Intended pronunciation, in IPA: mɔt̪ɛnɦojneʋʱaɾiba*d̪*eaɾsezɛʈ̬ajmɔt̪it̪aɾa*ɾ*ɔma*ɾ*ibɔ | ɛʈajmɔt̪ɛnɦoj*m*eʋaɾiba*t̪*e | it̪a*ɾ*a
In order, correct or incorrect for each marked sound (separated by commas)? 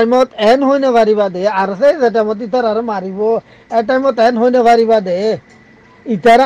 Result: correct, correct, correct, incorrect, incorrect, correct